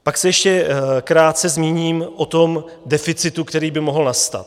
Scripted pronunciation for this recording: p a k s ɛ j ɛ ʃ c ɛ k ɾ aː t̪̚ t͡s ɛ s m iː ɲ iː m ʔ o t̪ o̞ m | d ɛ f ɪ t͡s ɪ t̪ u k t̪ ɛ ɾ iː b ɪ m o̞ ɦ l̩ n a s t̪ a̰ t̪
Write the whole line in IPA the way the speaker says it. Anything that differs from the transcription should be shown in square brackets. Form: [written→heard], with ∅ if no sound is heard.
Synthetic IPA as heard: p a k s ɛ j ɛ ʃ c ɛ k ɾ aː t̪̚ t͡s ɛ [s→z] m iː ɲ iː m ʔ o t̪ o̞ m | d ɛ f ɪ t͡s ɪ t̪ u k t̪ ɛ ɾ iː b ɪ m o̞ ɦ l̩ n a s t̪ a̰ t̪